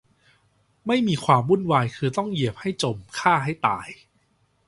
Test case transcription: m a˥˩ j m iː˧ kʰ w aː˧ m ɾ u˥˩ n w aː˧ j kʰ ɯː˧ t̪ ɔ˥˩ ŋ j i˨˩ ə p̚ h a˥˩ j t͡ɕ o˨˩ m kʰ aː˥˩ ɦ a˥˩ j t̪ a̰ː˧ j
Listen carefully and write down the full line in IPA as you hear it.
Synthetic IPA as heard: m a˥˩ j m iː˧ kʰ w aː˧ m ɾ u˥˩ n w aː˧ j kʰ ɯː˧ t̪ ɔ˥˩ ŋ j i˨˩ ə p̚ h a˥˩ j t͡ɕ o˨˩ m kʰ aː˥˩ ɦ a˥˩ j t̪ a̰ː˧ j

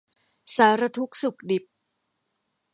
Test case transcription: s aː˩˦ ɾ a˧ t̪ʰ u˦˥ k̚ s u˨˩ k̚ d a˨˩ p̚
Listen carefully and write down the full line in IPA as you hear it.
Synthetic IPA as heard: s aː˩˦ ɾ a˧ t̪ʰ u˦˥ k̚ s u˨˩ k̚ d i˨˩ p̚

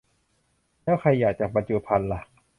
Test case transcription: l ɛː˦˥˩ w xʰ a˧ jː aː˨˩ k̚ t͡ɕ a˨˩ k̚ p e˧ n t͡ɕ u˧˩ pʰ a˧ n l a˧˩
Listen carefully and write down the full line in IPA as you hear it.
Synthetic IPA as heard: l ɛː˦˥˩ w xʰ a˧ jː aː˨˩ k̚ t͡ɕ a˨˩ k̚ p a˧ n t͡ɕ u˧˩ pʰ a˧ n l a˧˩

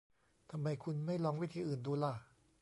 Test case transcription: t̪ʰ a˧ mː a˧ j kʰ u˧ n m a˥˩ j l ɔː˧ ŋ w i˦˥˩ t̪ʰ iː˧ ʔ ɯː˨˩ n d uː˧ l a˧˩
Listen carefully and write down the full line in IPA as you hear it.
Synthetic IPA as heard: t̪ʰ a˧ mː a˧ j kʰ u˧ n m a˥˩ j l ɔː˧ ŋ w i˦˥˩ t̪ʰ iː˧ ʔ ɯː˨˩ n d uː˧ l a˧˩

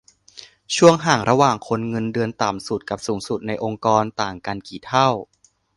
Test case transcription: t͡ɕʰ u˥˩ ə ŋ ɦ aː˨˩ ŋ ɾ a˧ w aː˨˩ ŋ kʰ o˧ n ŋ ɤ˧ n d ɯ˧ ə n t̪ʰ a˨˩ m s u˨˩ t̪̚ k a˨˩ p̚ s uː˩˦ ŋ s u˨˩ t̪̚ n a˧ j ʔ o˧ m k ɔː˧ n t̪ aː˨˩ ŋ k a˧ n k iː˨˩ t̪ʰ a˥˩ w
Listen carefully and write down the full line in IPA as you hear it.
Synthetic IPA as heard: t͡ɕʰ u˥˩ ə ŋ ɦ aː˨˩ ŋ ɾ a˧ w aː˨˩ ŋ kʰ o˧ n ŋ ɤ˧ n d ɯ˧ ə n t̪ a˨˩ m s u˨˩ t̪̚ k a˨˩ p̚ s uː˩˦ ŋ s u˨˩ t̪̚ n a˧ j ʔ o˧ ŋ k ɔː˧ n t̪ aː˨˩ ŋ k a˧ n k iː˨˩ t̪ʰ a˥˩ w

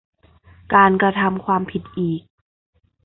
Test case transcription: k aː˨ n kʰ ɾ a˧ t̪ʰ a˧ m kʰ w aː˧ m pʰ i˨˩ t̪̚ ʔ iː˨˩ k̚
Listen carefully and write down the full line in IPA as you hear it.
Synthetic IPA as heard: k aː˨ n k ɾ a˧ t̪ʰ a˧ m kʰ w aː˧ m pʰ i˨˩ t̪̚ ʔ iː˨˩ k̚

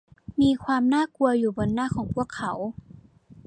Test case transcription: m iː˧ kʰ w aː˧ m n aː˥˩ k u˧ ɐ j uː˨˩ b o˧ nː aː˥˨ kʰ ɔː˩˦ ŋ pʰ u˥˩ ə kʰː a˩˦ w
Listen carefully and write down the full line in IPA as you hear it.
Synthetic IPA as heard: m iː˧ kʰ w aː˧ m n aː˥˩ k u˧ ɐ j uː˨˩ b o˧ nː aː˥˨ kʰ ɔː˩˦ ŋ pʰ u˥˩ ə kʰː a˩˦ w

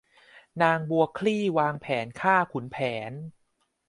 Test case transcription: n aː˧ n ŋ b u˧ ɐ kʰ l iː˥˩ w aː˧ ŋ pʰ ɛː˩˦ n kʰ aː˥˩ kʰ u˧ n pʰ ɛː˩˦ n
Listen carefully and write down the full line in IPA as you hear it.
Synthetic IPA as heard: n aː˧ ŋ b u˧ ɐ kʰ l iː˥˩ w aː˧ ŋ pʰ ɛː˩˦ n kʰ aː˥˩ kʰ u˩˦ n pʰ ɛː˩˦ n

